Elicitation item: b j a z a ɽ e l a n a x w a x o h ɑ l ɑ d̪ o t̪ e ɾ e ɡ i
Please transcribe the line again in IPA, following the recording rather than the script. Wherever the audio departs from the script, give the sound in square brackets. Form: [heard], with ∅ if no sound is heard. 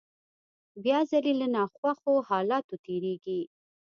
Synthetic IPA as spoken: b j [ɑ] z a [l] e l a n [ɑ] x w a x o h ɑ l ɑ [t̪] o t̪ e ɾ e ɡ i